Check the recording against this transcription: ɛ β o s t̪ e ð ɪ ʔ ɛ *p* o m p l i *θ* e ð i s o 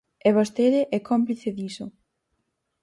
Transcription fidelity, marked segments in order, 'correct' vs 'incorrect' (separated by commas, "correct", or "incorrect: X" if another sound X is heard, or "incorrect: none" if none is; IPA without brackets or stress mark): incorrect: k, correct